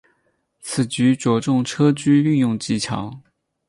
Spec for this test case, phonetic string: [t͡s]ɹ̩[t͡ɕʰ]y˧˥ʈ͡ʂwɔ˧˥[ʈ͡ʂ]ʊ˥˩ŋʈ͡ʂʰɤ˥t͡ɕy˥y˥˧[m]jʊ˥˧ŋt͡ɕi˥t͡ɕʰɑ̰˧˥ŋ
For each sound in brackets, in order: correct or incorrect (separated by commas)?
incorrect, incorrect, correct, incorrect